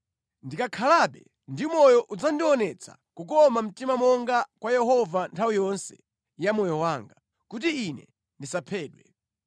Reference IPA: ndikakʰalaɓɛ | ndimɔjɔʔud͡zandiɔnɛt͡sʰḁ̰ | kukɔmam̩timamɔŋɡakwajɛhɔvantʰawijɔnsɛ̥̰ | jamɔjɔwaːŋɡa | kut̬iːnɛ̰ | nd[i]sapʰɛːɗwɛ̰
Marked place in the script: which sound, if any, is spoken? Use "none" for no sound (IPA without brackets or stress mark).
i